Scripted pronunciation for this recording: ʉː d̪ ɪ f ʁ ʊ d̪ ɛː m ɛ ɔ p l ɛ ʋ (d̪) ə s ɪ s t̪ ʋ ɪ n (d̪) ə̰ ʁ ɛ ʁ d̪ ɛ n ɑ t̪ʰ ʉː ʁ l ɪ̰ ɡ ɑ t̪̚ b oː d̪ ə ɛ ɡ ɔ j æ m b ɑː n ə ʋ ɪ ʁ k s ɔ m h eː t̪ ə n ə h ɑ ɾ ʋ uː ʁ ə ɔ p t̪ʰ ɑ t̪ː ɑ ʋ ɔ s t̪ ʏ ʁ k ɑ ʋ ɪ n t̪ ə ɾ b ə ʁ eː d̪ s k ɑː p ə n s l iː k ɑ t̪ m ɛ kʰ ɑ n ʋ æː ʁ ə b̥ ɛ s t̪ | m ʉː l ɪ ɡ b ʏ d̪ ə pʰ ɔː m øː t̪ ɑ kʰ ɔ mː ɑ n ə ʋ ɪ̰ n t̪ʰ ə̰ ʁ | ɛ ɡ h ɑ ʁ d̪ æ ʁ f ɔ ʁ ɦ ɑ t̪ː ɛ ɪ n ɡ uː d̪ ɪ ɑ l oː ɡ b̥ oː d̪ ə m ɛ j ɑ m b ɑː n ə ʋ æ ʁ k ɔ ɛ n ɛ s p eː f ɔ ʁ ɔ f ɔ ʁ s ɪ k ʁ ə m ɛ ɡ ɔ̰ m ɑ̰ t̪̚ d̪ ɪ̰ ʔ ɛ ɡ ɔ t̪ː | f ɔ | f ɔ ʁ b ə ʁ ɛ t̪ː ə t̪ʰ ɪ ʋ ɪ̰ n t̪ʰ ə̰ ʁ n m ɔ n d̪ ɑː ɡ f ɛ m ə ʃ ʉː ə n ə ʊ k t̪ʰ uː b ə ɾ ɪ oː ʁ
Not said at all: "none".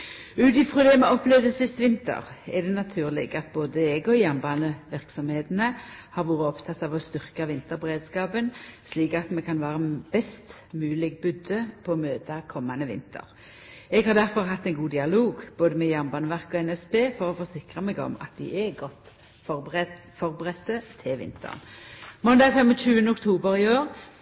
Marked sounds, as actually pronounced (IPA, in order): d̪, t̪

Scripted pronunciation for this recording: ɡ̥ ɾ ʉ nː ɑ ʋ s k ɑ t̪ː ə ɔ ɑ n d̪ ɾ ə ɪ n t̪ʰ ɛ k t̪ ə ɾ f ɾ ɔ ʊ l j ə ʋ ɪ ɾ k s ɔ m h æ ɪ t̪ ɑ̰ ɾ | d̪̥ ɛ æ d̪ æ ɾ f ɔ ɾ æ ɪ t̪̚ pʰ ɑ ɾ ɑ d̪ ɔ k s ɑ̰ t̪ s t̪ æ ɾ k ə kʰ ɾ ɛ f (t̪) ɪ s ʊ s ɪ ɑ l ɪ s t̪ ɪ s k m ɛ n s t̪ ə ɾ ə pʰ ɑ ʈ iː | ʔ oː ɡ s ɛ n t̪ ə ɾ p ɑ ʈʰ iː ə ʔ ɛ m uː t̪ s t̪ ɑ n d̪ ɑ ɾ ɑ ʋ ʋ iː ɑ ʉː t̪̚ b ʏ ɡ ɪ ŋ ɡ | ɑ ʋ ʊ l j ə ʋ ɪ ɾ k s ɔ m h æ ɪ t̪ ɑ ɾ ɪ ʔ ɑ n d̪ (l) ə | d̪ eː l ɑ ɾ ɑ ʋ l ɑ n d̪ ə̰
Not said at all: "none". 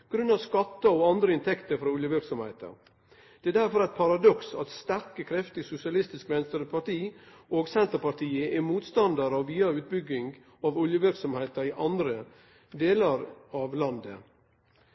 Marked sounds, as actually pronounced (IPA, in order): t̪, ɾ

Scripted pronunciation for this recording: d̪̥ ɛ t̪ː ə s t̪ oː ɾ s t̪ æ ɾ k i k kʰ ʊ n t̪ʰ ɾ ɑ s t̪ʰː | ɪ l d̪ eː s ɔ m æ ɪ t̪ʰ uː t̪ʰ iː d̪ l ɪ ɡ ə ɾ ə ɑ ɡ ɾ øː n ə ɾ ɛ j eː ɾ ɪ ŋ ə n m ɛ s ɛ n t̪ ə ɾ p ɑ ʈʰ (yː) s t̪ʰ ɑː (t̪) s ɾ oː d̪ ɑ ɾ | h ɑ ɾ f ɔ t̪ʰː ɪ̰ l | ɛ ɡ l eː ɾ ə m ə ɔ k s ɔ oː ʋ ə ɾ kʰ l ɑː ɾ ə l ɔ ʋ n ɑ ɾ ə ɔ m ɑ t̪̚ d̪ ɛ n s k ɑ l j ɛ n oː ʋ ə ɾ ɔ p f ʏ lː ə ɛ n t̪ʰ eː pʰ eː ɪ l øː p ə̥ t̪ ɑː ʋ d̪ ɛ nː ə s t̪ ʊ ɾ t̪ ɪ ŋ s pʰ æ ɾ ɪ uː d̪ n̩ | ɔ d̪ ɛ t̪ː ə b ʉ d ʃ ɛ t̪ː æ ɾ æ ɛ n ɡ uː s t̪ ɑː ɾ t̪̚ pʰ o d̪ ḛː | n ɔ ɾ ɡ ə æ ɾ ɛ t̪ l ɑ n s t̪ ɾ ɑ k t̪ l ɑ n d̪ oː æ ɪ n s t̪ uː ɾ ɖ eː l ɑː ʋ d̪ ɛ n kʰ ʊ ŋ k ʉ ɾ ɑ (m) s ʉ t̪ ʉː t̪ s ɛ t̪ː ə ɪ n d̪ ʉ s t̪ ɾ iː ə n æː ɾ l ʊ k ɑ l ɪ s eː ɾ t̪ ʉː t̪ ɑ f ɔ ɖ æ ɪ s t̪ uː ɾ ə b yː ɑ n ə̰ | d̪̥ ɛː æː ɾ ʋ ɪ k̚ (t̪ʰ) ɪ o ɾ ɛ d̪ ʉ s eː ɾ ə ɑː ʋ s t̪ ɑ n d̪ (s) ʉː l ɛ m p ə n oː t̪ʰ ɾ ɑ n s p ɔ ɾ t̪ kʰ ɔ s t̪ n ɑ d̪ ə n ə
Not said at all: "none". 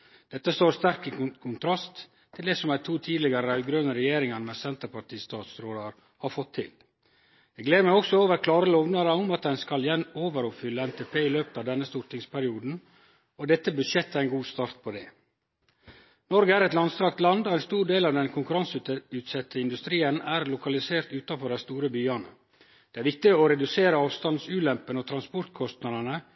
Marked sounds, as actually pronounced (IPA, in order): iː, t̪, n, t̪, s

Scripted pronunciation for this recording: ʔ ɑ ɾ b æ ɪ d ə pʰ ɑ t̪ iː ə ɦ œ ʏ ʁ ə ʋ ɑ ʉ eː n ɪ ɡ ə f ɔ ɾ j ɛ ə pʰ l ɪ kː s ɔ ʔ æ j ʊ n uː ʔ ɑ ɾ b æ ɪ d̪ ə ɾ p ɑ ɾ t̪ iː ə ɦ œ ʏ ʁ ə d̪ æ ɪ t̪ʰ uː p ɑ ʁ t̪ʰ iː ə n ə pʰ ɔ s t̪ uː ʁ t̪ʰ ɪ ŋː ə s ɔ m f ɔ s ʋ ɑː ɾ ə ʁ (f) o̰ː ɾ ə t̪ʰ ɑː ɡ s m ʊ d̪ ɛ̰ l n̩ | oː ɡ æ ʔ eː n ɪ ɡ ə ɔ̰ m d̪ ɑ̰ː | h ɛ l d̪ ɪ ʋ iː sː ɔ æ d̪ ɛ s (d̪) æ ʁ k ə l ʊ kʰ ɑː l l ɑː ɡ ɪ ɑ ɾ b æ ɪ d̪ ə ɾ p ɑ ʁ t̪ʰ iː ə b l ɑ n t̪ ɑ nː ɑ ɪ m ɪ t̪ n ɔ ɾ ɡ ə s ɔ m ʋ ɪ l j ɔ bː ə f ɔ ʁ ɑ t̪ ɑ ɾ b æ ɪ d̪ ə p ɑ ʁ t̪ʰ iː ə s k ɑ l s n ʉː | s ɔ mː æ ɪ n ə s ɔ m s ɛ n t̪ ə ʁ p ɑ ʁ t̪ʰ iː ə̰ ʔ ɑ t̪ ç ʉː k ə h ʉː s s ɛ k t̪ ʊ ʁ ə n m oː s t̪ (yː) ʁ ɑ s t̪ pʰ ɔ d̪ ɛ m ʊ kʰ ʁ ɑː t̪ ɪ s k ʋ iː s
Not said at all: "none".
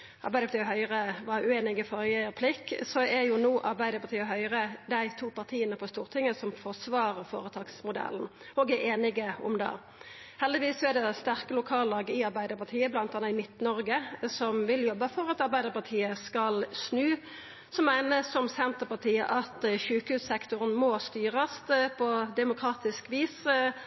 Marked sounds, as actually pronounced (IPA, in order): f, t̪, yː

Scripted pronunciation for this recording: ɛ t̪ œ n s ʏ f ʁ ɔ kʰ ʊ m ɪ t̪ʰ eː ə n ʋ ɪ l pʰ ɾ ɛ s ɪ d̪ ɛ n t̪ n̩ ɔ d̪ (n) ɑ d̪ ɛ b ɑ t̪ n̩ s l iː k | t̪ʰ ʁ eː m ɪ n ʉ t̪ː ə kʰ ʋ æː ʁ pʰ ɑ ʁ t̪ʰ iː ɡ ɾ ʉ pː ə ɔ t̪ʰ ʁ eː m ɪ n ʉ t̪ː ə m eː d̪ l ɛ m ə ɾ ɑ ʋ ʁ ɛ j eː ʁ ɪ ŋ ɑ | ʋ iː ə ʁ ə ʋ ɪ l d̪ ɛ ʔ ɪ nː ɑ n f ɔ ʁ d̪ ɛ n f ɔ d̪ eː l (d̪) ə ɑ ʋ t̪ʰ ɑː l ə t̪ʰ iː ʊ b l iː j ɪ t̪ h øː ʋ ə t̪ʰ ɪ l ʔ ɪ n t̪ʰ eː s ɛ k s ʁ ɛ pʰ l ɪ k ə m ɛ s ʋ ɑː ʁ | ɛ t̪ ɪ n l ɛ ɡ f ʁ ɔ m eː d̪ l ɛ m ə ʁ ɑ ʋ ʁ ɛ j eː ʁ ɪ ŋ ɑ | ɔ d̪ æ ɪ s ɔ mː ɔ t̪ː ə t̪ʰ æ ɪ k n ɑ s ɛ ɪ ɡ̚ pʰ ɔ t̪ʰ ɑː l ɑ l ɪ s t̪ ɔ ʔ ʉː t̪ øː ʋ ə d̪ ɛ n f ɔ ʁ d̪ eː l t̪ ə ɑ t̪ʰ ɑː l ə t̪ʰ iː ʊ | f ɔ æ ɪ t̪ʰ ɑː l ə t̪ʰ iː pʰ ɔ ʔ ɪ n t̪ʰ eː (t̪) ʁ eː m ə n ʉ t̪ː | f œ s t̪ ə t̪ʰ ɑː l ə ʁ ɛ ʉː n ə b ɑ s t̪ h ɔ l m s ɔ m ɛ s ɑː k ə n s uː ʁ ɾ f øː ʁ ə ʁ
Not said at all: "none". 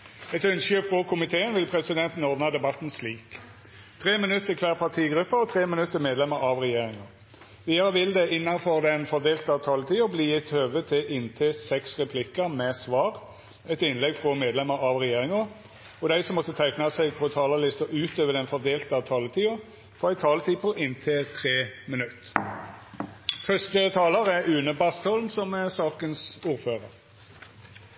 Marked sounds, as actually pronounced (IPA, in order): n, t̪, t̪ʰ

